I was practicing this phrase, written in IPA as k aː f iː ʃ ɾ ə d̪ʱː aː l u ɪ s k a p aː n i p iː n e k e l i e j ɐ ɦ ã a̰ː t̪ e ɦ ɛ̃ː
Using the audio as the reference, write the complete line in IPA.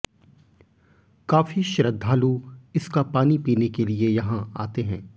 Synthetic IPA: k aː f i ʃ ɾ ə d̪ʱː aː l u ɪ s k a p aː n i p iː n e k e l i e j ɐ ɦ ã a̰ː t̪ e ɦ ɛ̃ː

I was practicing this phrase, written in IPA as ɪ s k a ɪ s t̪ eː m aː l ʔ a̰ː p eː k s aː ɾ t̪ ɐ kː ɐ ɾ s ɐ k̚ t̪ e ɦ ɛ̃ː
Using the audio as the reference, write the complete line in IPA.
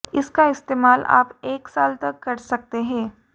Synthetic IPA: ɪ s k a ɪ s t̪ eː m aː l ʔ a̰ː p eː k s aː l t̪ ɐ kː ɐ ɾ s ɐ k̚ t̪ e ɦ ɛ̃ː

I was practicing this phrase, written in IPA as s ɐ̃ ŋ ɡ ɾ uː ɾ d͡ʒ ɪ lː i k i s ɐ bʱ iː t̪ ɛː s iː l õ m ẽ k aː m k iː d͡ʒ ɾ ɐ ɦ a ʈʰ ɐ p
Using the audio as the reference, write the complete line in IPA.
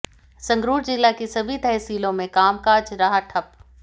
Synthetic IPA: s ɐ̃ ŋ ɡ ɾ uː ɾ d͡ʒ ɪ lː a k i s ɐ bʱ i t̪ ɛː s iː l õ m ẽ k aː m k aː d͡ʒ ɾ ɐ ɦ a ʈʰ ɐ p

